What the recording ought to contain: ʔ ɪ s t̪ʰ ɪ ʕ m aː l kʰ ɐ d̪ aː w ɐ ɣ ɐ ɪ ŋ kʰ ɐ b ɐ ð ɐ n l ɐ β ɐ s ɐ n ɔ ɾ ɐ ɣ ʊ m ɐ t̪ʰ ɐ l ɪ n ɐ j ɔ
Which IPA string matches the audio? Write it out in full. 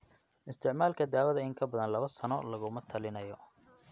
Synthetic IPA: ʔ ɪ s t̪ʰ ɪ ʕ m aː l kʰ ɐ d̪ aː w ɐ ð ɐ ɪ ŋ kʰ ɐ b ɐ ð ɐ n l ɐ β ɐ s ɐ n ɔ l ɐ ɣ ʊ m ɐ t̪ʰ ɐ l ɪ n ɐ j ɔ